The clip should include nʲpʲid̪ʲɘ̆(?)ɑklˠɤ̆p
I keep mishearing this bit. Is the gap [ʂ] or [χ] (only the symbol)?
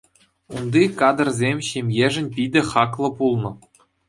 χ